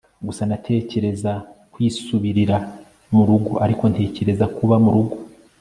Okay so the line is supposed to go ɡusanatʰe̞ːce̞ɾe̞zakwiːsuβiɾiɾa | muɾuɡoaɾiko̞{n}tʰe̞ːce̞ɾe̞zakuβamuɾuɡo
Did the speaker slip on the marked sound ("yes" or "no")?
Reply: no